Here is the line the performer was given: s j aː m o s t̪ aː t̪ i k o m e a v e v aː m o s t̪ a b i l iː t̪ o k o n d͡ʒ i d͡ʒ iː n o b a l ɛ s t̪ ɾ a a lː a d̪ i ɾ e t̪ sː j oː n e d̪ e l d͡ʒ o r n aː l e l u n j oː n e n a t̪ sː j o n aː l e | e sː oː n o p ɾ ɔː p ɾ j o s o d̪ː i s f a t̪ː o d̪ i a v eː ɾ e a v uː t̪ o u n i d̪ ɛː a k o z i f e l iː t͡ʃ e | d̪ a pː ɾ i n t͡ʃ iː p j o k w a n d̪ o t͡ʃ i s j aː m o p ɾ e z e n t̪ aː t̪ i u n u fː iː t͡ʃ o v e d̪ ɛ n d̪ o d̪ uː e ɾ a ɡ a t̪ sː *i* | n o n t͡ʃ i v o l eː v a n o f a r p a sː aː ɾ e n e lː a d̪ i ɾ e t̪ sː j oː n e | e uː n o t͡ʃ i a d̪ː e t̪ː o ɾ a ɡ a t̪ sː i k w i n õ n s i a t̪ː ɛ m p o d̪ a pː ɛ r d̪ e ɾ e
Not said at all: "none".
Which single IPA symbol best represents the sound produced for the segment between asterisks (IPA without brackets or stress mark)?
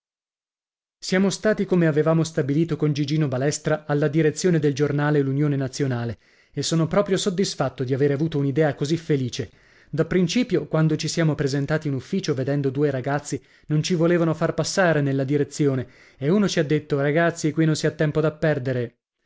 i